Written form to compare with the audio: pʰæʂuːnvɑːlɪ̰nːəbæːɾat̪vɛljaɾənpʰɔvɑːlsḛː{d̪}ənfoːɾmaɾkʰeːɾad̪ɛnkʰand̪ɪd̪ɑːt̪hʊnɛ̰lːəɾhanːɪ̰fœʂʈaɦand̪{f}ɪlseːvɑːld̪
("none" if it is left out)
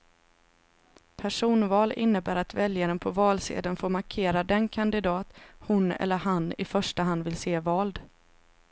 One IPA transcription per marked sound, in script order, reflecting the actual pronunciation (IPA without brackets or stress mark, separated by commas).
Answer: d̪, v